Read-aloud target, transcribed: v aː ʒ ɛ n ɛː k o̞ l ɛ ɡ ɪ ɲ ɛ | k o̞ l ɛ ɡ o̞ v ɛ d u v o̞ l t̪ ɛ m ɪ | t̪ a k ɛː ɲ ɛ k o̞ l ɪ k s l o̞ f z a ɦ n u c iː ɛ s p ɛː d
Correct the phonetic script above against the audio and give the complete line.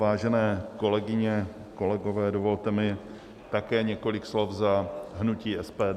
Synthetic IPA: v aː ʒ ɛ n ɛː k o̞ l ɛ ɡ ɪ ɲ ɛ | k o̞ l ɛ ɡ o̞ v ɛː d o v o̞ l t̪ ɛ m ɪ | t̪ a k ɛː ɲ ɛ k o̞ l ɪ k s l o̞ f z a ɦ n u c iː ɛ s p ɛː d